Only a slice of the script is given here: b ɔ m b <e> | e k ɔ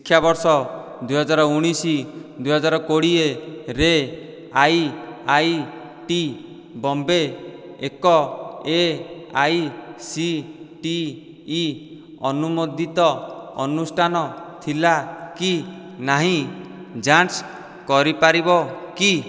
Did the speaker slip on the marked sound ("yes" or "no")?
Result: no